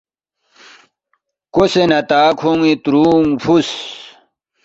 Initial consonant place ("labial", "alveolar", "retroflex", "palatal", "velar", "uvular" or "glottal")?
velar